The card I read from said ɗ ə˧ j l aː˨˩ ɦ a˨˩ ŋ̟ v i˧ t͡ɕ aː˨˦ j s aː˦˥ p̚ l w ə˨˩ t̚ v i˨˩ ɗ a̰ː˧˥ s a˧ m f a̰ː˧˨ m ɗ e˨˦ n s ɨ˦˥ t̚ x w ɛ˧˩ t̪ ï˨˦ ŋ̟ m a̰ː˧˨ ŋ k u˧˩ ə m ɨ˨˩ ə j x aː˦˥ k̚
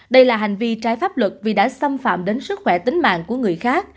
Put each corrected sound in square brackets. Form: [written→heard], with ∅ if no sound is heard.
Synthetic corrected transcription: ɗ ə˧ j l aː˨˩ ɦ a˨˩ ŋ̟ v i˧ t͡ɕ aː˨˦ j [s→f] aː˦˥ p̚ l w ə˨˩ t̚ v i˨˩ ɗ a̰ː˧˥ s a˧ m f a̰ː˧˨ m ɗ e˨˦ n s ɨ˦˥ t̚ x w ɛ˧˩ t̪ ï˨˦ ŋ̟ m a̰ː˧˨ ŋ k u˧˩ ə [m→ŋ] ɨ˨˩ ə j x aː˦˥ k̚